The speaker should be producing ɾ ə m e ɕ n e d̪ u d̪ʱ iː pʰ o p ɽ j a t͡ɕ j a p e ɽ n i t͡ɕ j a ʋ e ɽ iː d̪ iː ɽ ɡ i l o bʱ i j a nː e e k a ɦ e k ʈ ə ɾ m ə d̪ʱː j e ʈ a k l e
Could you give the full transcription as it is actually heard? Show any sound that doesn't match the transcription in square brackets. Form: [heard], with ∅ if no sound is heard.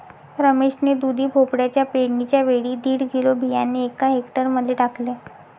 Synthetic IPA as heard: ɾ ə m e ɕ n e d̪ u d̪ʱ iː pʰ o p ɽ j a t͡ɕ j a p e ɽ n i t͡ɕ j a ʋ e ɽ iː d̪ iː ɽ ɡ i l o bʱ i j a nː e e k a ɦ e k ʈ ə ɾ m ə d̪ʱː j e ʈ a k l e